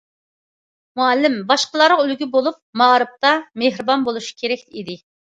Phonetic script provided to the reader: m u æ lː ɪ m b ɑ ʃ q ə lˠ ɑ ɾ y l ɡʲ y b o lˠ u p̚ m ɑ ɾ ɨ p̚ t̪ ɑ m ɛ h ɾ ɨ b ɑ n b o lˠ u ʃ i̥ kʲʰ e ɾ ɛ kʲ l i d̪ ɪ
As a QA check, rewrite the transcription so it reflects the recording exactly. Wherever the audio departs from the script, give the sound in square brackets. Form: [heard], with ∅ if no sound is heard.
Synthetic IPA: m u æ lː ɪ m b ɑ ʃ q ə lˠ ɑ ɾ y l ɡʲ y b o lˠ u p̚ m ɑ ɾ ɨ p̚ t̪ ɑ m [e] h ɾ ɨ b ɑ n b o lˠ u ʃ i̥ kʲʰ e ɾ ɛ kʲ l i d̪ ɪ

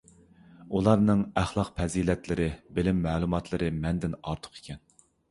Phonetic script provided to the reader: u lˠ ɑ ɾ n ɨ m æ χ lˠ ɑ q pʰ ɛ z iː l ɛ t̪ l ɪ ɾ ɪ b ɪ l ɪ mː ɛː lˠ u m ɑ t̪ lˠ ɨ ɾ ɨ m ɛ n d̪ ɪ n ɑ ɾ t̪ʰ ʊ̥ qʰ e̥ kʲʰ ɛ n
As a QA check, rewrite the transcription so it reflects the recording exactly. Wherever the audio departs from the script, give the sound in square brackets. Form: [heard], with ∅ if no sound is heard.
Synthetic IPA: u lˠ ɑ ɾ n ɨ [ŋ] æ χ lˠ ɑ q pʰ ɛ z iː l ɛ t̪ l ɪ ɾ ɪ b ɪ l ɪ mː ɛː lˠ u m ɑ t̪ lˠ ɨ ɾ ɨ m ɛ n d̪ ɪ n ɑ ɾ t̪ʰ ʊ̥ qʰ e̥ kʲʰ ɛ n

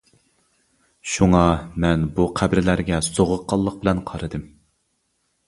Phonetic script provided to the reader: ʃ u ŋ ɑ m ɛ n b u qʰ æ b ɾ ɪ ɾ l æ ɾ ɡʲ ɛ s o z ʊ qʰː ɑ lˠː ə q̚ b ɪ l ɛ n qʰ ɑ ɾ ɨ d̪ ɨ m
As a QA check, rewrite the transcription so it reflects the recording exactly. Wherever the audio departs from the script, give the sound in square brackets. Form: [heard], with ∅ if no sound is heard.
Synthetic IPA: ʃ u ŋ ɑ m ɛ n b u qʰ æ b ɾ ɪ [∅] l æ ɾ ɡʲ ɛ s o [ʁ] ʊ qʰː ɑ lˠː ə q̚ b ɪ l ɛ n qʰ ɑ ɾ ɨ d̪ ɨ m

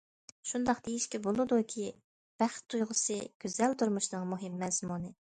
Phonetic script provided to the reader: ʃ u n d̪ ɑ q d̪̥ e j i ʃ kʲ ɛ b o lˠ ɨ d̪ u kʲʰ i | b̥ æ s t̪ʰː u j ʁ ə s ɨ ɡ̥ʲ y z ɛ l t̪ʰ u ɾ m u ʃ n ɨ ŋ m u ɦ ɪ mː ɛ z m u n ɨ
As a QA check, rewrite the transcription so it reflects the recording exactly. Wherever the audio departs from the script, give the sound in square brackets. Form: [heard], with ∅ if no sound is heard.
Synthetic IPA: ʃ u n d̪ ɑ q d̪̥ e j i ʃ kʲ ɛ b o lˠ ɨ d̪ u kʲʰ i | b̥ æ [χ] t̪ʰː u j ʁ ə s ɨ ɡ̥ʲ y z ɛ l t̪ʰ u ɾ m u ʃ n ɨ ŋ m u ɦ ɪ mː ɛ z m u n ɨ

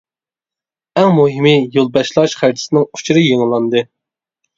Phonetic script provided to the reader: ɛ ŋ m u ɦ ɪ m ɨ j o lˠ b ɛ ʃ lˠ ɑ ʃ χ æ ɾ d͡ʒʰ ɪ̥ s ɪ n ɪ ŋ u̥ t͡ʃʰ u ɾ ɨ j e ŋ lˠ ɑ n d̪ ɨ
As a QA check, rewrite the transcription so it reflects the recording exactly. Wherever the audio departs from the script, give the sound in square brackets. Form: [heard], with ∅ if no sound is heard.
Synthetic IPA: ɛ ŋ m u ɦ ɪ m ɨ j o lˠ b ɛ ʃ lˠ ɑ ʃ χ æ ɾ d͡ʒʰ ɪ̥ s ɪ n ɪ ŋ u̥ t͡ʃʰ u ɾ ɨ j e ŋ lˠ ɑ n d̪ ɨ

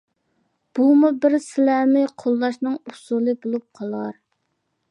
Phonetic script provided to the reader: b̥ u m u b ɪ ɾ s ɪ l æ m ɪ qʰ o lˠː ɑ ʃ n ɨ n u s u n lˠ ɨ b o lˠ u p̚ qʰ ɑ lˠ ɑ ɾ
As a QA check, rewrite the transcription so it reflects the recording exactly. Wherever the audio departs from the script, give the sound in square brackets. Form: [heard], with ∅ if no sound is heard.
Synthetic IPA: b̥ u m u b ɪ ɾ s ɪ l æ m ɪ qʰ o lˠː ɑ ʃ n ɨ [ŋ] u s u [∅] lˠ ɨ b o lˠ u p̚ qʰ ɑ lˠ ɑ ɾ

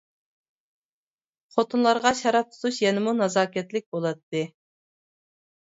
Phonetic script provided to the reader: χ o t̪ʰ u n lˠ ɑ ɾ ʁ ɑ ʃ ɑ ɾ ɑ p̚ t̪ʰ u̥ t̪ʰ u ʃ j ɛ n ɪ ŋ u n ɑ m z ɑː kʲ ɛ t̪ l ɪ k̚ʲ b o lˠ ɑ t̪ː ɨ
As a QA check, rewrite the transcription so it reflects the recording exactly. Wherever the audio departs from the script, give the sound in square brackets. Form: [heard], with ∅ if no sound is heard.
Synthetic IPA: χ o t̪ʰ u n lˠ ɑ ɾ ʁ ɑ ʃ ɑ ɾ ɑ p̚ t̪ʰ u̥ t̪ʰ u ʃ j ɛ n ɪ [m] u n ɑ [∅] z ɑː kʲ ɛ t̪ l ɪ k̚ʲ b o lˠ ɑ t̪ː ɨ

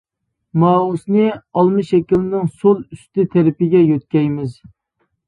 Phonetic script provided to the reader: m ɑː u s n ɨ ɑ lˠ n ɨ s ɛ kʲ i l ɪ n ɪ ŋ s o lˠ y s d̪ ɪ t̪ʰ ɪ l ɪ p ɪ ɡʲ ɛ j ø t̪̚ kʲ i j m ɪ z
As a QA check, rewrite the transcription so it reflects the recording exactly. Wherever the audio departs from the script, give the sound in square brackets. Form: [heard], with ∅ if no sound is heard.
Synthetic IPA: m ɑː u s n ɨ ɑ lˠ [m] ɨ [ʃ] ɛ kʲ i l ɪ n ɪ ŋ s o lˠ y s [t̪] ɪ t̪ʰ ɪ [ɾ] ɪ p ɪ ɡʲ ɛ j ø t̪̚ kʲ [ɛ] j m ɪ z

